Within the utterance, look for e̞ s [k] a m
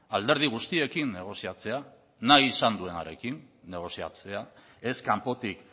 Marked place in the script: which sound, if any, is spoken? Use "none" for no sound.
k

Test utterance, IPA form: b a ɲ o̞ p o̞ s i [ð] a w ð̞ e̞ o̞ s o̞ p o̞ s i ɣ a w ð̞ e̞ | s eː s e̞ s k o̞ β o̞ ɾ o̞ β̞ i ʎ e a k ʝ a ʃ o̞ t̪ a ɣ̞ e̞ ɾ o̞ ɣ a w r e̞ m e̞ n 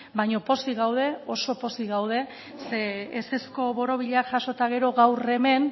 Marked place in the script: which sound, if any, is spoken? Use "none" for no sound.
ɣ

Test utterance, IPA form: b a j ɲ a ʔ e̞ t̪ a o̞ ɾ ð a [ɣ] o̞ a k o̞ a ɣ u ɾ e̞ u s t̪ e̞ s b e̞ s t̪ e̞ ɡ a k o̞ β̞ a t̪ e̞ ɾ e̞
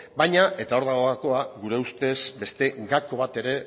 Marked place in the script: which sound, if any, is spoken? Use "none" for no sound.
ɣ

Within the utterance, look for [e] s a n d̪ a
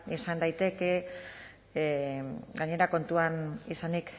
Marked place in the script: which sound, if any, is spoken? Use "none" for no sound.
i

